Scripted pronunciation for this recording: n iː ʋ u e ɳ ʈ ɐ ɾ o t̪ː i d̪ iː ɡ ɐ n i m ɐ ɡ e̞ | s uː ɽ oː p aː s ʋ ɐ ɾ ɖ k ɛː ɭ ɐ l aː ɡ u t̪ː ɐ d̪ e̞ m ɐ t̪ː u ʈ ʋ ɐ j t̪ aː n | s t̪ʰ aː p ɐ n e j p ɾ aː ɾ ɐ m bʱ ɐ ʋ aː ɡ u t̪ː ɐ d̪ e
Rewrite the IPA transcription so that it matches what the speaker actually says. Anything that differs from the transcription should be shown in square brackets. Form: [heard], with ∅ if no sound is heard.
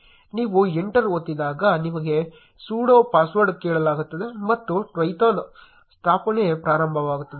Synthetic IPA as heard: n iː ʋ u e ɳ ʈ ɐ ɾ o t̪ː i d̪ [aː] ɡ ɐ n i m ɐ ɡ e̞ | s uː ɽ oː p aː s ʋ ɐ ɾ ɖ k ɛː ɭ ɐ l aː ɡ u t̪ː ɐ d̪ e̞ m ɐ t̪ː u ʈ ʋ ɐ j t̪ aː n | s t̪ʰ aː p ɐ n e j p ɾ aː ɾ ɐ m bʱ ɐ ʋ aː ɡ u t̪ː ɐ d̪ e